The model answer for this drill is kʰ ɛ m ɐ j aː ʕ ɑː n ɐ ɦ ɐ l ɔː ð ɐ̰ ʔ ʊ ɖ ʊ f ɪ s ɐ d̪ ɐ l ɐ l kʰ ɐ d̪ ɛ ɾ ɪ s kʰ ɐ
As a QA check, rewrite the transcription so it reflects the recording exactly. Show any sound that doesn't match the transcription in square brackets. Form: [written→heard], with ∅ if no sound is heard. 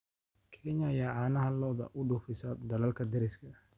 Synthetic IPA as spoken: kʰ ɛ [m→ɲ] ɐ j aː ʕ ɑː n ɐ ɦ ɐ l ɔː ð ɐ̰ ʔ ʊ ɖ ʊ f ɪ s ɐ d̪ ɐ l ɐ l kʰ ɐ d̪ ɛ ɾ ɪ s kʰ ɐ